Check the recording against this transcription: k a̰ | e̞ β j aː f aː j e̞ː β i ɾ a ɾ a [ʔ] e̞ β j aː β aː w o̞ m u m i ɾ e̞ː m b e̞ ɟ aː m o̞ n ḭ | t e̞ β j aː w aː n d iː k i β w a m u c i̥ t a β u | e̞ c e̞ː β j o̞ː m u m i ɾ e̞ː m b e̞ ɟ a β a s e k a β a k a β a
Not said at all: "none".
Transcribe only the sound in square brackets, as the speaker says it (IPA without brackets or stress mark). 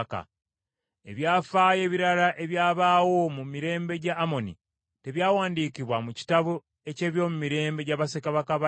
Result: ʔ